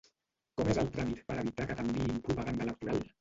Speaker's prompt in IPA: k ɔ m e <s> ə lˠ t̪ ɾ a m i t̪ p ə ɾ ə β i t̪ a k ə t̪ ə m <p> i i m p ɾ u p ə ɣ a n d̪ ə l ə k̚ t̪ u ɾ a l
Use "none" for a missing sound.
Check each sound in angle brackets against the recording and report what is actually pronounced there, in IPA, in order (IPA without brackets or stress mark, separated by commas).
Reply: z, b